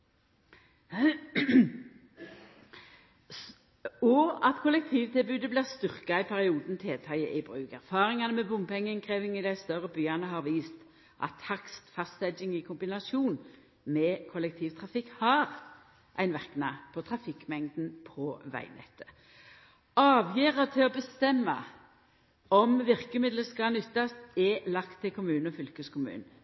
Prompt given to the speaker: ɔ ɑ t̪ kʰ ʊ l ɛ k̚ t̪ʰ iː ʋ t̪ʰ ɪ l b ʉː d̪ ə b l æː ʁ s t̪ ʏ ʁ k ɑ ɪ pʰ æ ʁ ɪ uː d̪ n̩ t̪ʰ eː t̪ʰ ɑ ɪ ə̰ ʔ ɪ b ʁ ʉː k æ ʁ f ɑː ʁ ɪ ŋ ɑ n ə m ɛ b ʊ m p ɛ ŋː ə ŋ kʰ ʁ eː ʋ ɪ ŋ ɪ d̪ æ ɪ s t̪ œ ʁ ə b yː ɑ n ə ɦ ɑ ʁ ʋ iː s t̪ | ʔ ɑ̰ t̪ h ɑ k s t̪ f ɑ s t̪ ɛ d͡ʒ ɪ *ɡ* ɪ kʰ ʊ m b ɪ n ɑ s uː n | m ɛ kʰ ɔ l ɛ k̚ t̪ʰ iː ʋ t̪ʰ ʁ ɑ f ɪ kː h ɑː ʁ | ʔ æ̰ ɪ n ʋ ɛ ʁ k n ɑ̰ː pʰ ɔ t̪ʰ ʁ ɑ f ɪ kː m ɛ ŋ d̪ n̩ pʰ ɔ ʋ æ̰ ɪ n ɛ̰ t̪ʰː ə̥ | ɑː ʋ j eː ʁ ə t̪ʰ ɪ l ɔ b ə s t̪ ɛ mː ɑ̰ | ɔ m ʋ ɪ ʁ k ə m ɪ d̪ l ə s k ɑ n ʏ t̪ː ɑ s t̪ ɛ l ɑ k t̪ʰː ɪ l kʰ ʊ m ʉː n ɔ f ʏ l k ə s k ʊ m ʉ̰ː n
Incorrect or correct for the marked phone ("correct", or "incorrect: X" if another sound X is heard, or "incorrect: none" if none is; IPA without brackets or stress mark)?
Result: incorrect: ŋ